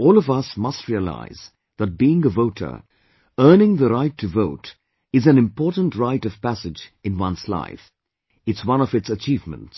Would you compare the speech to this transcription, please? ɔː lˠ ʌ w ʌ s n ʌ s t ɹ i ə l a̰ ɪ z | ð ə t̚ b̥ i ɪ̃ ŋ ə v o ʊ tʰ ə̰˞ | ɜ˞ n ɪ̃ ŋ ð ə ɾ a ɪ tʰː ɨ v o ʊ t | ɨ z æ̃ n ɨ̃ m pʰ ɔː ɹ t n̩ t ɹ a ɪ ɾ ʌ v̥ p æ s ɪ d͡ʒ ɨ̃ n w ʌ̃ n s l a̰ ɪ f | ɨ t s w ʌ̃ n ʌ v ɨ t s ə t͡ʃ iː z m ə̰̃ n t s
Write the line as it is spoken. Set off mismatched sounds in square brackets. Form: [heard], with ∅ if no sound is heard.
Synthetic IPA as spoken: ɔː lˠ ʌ [v] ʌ s [m] ʌ s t ɹ i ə l a̰ ɪ z | ð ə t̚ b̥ i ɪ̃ ŋ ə v o ʊ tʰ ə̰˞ | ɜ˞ n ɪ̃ ŋ ð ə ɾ a ɪ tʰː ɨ v o ʊ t | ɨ z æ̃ n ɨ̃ m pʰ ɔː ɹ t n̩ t ɹ a ɪ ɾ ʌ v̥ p æ s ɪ d͡ʒ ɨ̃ n w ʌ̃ n s l a̰ ɪ f | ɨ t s w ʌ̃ n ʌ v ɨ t s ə t͡ʃ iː [v] m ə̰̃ n t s